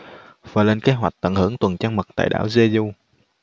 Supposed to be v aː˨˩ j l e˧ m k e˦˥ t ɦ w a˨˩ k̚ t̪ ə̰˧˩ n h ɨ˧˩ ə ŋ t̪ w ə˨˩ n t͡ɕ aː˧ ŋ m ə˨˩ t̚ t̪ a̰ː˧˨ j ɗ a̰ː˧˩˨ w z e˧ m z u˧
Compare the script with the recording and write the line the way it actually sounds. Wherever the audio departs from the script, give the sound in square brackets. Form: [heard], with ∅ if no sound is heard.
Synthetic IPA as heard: v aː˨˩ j l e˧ [n] k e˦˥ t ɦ w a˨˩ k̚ t̪ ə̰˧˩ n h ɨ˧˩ ə ŋ t̪ w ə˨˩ n t͡ɕ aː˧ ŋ m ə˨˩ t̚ t̪ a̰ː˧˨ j ɗ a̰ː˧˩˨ w z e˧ [∅] z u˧

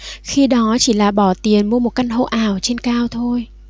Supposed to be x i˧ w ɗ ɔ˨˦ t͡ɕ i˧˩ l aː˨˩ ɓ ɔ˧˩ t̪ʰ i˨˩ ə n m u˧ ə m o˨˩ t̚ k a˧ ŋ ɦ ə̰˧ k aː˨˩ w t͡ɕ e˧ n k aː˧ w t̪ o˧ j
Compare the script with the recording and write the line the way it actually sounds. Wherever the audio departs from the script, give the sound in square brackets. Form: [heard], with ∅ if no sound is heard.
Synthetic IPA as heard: x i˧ [∅] ɗ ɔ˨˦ t͡ɕ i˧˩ l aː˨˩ ɓ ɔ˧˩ [t̪] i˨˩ ə n m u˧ ə m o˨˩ t̚ k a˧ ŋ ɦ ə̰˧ [ʔ] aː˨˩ w t͡ɕ e˧ n k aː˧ w [t̪ʰ] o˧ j

